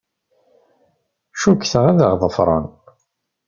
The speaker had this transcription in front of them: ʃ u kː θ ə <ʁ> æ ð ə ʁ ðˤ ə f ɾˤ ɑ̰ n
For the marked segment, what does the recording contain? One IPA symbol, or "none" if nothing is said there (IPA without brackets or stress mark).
ʁ